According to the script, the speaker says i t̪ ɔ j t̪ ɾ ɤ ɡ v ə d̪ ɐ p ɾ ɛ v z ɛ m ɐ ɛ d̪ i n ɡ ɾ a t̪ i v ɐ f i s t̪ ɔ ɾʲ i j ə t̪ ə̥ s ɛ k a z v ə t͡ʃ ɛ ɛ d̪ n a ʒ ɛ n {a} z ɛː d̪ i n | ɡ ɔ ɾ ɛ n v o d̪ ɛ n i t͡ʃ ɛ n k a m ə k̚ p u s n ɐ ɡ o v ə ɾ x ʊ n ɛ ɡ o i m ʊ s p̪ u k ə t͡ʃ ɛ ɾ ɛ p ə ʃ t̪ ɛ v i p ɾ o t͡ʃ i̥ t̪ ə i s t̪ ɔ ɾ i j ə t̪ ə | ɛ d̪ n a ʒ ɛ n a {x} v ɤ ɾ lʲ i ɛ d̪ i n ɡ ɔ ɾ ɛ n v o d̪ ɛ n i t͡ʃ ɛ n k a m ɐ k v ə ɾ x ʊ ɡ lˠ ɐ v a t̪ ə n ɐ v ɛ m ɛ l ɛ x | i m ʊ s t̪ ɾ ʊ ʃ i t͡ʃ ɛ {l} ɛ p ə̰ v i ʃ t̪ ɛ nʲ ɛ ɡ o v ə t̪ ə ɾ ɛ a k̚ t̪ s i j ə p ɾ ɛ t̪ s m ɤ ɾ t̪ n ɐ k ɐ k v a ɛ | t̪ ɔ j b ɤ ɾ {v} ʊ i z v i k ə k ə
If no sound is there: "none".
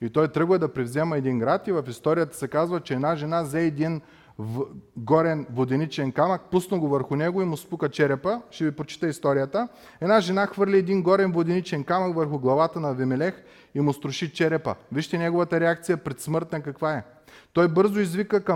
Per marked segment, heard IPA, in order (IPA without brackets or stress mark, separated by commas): a, x, ɾ, z